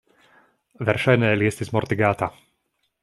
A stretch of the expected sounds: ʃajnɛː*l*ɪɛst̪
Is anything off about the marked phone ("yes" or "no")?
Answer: no